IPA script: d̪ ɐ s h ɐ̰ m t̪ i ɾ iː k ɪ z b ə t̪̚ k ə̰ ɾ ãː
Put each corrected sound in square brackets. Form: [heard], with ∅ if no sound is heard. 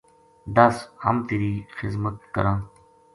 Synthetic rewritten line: d̪ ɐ s h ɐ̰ m t̪ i ɾ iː [x] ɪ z [m] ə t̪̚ k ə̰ ɾ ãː

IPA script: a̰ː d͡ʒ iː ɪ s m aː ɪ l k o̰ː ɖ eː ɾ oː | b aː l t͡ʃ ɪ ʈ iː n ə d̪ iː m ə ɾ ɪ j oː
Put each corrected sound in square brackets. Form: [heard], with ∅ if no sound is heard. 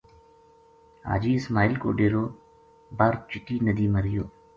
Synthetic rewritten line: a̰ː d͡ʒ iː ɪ s m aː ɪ l k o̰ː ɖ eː ɾ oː | b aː [ɾ] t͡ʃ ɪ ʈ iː n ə d̪ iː m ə ɾ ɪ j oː

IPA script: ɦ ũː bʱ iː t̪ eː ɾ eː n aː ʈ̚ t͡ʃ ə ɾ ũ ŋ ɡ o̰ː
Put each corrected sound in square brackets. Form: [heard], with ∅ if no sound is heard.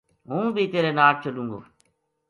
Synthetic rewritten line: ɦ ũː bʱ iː t̪ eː ɾ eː n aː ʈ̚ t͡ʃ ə [l] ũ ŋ ɡ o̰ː

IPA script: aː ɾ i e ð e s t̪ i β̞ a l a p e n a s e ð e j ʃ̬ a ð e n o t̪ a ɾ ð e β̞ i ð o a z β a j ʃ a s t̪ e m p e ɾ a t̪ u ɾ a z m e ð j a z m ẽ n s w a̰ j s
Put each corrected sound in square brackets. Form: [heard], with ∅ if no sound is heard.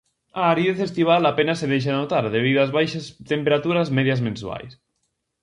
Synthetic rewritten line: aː ɾ i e [θ] e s t̪ i β̞ a l a p e n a s e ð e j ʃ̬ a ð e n o t̪ a ɾ ð e β̞ i ð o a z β a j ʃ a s t̪ e m p e ɾ a t̪ u ɾ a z m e ð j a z m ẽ n s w a̰ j s

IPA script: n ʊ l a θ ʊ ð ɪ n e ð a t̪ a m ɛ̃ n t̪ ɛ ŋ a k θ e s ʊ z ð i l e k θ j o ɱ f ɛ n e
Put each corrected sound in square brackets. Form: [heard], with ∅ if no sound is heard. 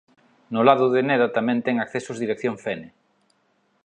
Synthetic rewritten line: n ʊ l a [ð] ʊ ð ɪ n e ð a t̪ a m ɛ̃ n t̪ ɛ ŋ a k θ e s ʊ z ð i [ɾ] e k θ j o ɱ f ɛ n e

